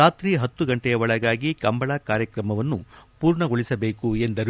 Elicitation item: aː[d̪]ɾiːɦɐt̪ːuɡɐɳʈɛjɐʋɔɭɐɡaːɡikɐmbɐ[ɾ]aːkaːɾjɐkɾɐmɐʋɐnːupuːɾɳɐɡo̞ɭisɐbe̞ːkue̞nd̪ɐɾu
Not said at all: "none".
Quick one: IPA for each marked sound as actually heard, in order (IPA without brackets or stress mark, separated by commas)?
t̪, ɭ